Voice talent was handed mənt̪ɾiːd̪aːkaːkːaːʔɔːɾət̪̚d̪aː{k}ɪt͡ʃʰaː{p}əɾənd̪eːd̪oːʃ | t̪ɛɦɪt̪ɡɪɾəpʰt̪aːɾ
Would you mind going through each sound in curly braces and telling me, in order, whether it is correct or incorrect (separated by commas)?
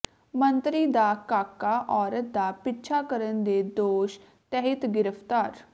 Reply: incorrect, incorrect